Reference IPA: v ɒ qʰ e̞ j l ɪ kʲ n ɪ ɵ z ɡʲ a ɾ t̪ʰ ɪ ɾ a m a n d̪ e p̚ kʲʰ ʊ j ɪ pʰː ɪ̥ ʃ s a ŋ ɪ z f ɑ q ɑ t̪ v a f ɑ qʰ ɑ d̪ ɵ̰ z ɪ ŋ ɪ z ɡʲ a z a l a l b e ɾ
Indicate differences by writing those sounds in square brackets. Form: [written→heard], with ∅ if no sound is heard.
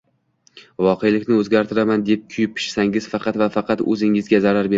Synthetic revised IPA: v ɒ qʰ e̞ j l ɪ kʲ n ɪ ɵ z ɡʲ a ɾ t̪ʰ ɪ ɾ a m a n d̪ e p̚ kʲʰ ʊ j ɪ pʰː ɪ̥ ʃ s a ŋ ɪ z f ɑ q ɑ t̪ v a f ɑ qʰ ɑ [d̪→t̪] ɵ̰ z ɪ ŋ ɪ z ɡʲ a z a [l→ɾ] a [l→ɾ] b e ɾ

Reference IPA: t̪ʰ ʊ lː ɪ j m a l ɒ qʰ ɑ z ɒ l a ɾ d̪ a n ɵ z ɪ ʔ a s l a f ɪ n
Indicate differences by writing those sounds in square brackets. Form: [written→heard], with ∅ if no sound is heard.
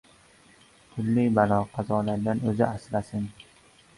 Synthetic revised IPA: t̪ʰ ʊ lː ɪ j [m→b] a l ɒ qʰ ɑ z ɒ l a ɾ d̪ a n ɵ z ɪ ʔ a s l a [f→s] ɪ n

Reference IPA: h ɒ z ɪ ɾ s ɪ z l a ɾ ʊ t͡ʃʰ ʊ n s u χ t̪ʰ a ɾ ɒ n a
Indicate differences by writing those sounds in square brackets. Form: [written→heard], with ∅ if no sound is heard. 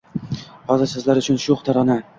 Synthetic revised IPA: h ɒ z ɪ ɾ s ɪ z l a ɾ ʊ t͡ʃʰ ʊ n [s→ʃ] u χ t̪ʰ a ɾ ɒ n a

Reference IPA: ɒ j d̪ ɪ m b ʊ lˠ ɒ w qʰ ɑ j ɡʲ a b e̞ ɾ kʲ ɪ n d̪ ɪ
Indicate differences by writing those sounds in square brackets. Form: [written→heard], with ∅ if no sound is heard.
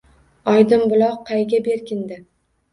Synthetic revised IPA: ɒ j d̪ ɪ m b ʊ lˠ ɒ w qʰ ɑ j ɡʲ a b e̞ ɾ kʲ ɪ n d̪ ɪ

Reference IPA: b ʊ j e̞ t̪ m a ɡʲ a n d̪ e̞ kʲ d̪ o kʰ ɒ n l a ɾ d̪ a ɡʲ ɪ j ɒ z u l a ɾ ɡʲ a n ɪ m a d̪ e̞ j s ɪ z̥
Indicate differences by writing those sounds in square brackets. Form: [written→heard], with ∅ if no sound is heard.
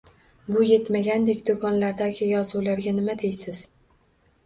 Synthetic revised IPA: b ʊ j e̞ t̪ m a ɡʲ a n d̪ e̞ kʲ d̪ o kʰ ɒ n l a ɾ d̪ a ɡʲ ɪ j ɒ z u l a ɾ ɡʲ a n ɪ m a d̪ e̞ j s ɪ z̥

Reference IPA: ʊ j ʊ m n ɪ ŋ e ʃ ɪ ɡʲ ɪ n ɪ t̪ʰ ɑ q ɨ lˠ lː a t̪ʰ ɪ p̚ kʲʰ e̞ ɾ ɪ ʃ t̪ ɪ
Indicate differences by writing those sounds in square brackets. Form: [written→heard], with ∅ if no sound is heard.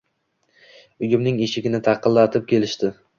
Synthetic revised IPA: ʊ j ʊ m n ɪ ŋ e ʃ ɪ ɡʲ ɪ n ɪ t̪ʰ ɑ q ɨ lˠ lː a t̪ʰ ɪ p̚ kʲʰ e̞ [ɾ→l] ɪ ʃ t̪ ɪ

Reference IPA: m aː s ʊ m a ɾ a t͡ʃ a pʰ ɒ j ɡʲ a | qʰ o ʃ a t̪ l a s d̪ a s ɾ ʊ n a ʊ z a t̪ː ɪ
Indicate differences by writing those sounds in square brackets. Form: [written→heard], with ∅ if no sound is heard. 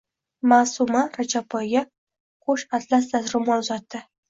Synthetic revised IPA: m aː s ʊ m a ɾ a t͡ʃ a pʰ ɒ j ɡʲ a | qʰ o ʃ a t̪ l a s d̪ a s ɾ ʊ [n→m] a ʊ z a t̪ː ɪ

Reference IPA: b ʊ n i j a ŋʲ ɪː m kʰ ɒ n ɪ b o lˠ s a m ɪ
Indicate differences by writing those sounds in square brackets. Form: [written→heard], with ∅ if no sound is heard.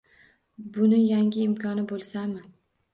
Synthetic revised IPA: b ʊ n [i→ɪ] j a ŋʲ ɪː m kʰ ɒ n ɪ b o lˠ s a m ɪ

